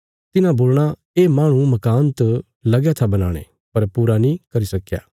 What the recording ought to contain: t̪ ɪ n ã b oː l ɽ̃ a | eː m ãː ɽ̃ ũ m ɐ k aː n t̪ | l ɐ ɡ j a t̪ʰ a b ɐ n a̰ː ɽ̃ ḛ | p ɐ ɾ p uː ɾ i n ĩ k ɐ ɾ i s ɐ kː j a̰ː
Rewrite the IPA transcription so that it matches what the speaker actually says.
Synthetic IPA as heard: t̪ ɪ n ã b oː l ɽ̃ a | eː m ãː ɽ̃ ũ m ɐ k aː n t̪ | l ɐ ɡ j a t̪ʰ a b ɐ n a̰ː ɽ̃ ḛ | p ɐ ɾ p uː ɾ a n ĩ k ɐ ɾ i s ɐ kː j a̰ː